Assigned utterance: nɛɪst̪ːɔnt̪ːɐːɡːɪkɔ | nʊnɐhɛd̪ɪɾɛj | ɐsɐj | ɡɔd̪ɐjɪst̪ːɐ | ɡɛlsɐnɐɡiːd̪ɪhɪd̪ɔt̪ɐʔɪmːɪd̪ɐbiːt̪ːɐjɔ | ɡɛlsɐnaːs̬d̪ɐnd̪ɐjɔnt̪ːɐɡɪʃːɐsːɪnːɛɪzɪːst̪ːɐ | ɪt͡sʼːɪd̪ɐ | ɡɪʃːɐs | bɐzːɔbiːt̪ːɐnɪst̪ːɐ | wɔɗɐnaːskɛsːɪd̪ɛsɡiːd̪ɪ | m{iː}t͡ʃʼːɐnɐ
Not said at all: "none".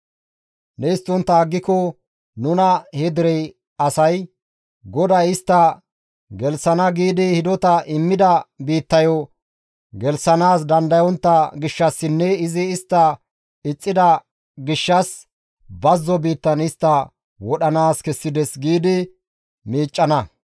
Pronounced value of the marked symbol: iː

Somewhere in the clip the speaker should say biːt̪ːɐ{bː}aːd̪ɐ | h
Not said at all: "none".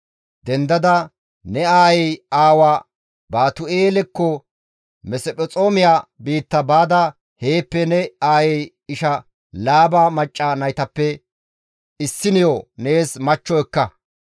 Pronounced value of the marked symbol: b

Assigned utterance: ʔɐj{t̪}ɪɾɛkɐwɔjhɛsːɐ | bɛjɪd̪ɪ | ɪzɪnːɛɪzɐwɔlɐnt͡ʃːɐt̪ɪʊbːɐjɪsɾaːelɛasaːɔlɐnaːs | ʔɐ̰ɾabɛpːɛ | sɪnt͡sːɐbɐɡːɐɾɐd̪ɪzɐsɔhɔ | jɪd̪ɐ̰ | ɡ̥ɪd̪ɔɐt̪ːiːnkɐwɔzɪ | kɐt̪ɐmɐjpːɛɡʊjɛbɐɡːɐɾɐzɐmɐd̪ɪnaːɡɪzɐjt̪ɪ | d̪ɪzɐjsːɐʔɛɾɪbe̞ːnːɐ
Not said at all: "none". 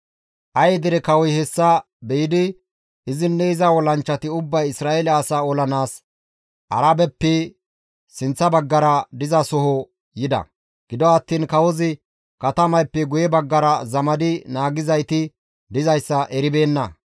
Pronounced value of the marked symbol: d̪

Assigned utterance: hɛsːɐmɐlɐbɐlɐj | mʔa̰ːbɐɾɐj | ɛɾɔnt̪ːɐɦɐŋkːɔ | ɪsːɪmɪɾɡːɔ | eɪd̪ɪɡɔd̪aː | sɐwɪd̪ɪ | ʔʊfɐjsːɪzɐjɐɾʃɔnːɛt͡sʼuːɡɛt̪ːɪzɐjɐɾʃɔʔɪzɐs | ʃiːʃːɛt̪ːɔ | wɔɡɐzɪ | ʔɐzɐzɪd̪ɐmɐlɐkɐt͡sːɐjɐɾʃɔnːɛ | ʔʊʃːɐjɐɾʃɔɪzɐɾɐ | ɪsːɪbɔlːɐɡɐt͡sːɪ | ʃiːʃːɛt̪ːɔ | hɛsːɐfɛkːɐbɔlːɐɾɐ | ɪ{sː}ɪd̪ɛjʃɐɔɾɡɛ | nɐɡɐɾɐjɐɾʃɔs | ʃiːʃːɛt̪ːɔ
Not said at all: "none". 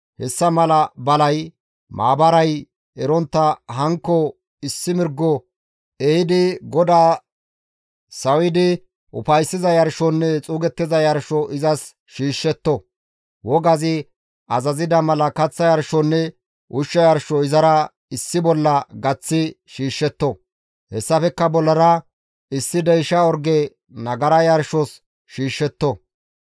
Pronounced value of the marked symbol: sː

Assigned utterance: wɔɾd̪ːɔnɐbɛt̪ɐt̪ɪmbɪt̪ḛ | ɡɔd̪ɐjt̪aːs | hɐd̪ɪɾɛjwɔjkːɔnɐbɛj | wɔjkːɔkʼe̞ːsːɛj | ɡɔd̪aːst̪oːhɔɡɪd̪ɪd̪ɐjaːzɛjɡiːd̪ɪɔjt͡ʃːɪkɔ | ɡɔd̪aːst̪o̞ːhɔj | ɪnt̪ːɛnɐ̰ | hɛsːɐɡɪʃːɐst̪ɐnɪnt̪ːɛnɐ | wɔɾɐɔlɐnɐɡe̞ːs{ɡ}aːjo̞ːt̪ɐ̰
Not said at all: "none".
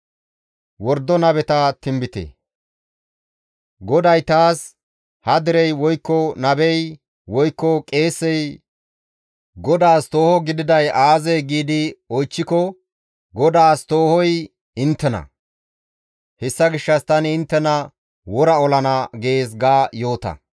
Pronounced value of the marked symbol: ɡ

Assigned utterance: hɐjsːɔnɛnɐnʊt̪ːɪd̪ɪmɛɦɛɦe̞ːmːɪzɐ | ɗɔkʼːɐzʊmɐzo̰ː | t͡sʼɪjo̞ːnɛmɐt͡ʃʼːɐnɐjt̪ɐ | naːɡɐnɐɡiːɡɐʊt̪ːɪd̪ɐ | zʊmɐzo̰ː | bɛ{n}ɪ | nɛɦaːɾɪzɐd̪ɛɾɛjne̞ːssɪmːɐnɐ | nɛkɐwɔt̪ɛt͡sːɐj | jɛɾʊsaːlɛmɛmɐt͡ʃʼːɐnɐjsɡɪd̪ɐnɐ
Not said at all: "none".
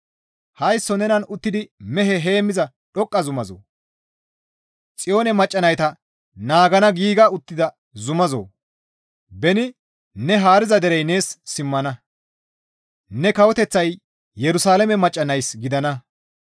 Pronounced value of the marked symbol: n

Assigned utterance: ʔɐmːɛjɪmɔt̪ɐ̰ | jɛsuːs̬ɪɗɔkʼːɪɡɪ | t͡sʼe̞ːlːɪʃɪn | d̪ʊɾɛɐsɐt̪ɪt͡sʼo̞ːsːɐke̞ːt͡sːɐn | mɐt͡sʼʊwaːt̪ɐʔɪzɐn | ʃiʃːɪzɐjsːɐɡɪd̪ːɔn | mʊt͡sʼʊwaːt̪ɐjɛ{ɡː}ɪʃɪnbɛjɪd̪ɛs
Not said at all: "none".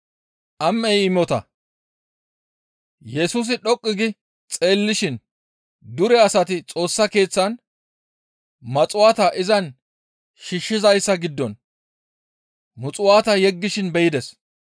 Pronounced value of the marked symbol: ɡː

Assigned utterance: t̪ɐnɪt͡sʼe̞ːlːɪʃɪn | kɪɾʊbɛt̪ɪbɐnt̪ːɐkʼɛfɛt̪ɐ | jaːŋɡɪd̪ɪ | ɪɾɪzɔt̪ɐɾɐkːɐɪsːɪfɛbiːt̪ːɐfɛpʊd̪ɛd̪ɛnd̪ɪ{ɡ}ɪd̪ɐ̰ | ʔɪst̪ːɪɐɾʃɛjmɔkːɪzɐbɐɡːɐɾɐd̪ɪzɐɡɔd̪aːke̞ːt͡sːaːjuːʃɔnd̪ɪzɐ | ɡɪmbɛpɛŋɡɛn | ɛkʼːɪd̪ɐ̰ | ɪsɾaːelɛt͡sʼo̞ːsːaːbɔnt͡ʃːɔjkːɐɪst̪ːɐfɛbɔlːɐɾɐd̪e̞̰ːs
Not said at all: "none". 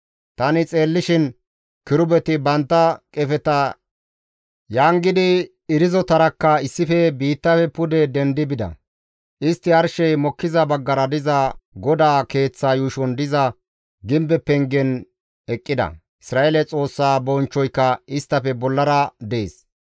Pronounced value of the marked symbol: b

